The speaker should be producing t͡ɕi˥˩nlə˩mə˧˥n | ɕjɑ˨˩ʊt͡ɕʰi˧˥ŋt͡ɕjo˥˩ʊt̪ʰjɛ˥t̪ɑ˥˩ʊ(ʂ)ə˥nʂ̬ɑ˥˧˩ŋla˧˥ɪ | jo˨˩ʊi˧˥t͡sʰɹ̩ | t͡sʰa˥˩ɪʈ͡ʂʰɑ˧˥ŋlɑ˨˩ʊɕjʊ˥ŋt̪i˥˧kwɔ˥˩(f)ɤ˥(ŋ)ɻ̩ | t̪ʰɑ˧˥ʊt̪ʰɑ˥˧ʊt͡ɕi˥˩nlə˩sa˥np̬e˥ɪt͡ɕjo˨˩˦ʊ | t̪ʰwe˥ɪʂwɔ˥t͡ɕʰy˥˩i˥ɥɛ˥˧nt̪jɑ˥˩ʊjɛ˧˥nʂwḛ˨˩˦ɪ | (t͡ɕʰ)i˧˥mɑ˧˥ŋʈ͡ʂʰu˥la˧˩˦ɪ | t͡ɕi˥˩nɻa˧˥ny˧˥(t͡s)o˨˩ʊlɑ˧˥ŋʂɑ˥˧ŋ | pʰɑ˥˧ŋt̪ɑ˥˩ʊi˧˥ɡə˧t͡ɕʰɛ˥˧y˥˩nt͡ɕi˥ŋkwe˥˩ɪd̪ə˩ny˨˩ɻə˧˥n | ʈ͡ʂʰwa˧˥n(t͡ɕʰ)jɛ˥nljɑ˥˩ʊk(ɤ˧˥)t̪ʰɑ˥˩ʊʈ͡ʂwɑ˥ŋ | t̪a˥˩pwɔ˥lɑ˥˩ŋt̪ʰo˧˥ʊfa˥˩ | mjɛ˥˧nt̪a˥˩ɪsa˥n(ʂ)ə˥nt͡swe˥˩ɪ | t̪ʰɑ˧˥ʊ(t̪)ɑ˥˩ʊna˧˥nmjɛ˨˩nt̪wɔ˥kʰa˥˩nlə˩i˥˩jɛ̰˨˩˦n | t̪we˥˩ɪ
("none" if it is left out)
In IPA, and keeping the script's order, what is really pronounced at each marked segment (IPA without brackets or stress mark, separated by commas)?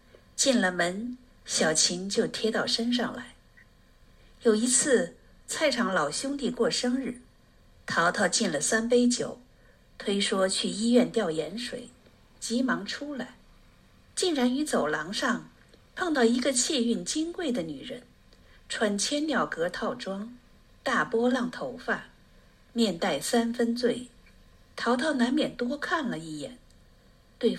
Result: ʂ, ʂ, ŋ, t͡ɕ, t͡s, t͡ɕʰ, ɤ˧˥, f, t̪ʰ